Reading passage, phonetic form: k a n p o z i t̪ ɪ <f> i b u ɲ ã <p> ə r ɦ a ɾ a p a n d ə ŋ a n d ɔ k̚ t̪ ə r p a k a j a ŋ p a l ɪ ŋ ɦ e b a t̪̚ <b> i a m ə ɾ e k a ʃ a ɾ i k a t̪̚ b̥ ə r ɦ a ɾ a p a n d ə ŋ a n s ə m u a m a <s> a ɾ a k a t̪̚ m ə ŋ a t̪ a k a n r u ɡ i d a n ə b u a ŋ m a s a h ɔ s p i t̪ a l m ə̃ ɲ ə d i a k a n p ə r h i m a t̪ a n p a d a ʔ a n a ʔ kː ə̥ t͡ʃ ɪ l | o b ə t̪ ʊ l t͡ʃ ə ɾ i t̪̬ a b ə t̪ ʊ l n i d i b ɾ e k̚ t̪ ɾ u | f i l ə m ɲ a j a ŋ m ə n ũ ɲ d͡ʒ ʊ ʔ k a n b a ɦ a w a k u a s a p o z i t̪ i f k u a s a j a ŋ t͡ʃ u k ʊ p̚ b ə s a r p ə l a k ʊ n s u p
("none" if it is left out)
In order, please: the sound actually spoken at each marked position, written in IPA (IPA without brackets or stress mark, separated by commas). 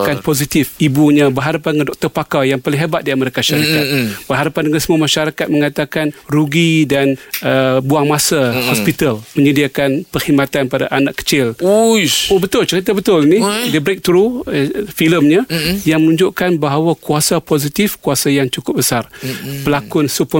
f, b, d, ʃ